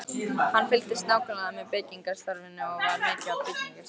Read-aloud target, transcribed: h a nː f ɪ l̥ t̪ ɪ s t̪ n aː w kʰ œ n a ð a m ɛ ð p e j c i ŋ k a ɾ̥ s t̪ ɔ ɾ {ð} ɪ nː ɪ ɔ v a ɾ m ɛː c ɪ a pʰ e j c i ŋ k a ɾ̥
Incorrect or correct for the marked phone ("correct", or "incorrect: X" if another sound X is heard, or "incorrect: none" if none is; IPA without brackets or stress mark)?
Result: incorrect: v